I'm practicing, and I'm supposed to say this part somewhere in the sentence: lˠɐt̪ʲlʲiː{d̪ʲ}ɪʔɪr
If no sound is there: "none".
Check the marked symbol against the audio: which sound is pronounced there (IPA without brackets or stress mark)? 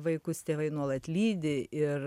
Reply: d̪ʲ